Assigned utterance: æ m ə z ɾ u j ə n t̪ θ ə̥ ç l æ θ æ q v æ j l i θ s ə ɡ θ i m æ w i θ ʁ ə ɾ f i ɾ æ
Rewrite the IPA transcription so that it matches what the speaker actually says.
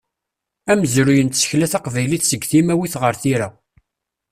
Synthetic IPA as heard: æ m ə z ɾ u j ə n t̪ s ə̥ ç l æ θ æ q v æ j l i θ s ə ɡ θ i m æ w i θ ʁ ə ɾ θ i ɾ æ